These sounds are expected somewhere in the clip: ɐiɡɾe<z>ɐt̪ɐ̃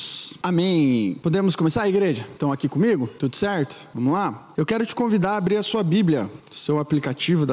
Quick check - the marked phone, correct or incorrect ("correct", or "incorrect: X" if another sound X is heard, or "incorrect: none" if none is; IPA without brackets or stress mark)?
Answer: incorrect: ʒ